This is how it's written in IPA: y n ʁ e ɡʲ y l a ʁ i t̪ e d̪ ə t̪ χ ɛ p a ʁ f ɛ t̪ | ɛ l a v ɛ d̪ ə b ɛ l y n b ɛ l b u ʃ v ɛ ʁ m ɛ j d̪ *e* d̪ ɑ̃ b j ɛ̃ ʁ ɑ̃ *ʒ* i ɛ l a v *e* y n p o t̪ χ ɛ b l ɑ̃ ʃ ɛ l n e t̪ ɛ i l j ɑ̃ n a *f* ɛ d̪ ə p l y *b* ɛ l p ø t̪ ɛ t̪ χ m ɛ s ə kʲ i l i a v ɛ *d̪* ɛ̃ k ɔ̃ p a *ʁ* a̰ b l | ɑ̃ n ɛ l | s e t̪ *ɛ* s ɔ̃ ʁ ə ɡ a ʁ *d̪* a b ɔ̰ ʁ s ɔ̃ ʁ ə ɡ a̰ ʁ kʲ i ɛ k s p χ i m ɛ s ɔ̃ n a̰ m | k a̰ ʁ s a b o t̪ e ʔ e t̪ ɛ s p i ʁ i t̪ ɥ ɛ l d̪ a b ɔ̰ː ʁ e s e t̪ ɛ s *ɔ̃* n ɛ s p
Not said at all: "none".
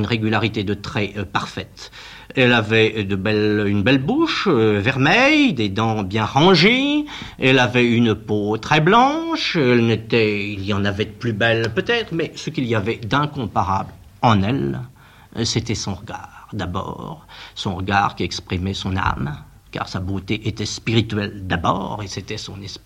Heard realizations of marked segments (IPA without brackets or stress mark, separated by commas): e, ʒ, ɛ, v, b, d̪, ʁ, ɛ, d̪, ɔ̃